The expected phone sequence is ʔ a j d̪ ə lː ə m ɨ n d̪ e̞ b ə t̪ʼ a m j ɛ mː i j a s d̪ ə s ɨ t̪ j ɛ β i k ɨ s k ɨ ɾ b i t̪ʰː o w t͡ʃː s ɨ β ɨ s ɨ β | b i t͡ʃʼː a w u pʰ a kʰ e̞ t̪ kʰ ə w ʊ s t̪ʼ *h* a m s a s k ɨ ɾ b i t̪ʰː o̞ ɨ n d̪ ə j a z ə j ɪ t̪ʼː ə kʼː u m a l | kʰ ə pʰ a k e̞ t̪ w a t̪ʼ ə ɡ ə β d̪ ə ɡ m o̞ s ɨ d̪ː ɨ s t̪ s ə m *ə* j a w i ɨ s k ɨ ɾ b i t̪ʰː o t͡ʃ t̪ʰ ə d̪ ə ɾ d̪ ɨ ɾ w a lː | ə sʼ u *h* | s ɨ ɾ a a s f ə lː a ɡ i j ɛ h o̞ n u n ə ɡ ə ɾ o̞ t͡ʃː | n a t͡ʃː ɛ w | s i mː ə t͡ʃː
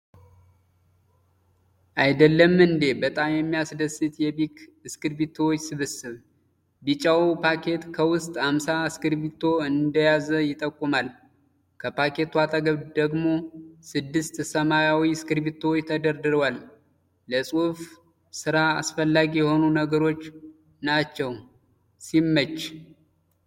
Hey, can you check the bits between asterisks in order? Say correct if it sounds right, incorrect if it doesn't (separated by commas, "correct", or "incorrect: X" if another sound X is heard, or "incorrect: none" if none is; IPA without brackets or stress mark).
correct, incorrect: a, incorrect: f